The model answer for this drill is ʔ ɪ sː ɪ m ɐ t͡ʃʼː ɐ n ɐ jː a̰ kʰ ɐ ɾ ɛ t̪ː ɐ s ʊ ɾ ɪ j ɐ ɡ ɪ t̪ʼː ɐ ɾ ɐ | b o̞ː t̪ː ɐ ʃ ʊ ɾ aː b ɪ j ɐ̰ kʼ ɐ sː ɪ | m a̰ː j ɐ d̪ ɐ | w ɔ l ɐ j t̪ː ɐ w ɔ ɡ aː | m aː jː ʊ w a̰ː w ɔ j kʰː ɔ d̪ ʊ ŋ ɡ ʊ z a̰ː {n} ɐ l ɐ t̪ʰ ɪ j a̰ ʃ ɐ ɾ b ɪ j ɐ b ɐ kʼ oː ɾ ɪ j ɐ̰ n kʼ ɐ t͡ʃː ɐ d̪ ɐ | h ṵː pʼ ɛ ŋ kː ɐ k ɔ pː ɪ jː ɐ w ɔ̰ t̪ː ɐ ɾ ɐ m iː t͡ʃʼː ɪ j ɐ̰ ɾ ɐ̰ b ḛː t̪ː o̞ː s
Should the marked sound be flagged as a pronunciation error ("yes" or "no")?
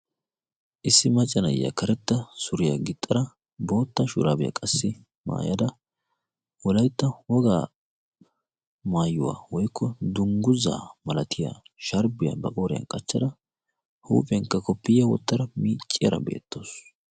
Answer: yes